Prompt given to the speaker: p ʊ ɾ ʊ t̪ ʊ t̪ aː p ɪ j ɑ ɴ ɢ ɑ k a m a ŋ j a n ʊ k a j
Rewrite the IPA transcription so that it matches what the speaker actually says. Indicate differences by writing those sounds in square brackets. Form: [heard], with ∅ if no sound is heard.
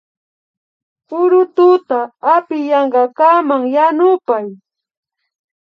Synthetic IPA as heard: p ʊ ɾ ʊ t̪ ʊ t̪ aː p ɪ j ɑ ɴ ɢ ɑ k a m a ŋ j a n ʊ [p] a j